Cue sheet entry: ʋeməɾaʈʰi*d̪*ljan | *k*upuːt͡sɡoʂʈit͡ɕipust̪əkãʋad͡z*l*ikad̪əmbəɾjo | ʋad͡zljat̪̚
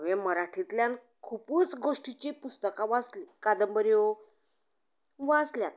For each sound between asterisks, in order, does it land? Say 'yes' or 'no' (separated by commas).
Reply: no, no, yes